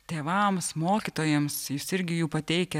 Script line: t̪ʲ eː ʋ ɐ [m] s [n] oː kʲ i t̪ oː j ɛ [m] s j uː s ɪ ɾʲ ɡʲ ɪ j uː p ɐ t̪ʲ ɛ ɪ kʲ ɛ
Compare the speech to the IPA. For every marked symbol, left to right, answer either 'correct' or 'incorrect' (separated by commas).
correct, incorrect, correct